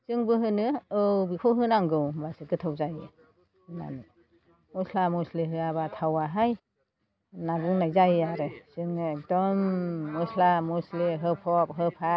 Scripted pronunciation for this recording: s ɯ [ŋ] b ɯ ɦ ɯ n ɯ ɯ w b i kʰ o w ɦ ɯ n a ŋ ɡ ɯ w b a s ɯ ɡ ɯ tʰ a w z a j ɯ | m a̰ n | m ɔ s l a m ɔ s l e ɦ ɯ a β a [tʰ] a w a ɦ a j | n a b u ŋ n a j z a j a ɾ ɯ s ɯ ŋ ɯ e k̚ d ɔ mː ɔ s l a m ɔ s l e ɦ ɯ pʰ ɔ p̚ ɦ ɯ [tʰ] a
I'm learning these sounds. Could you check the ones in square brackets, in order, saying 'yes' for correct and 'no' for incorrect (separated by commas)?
yes, yes, no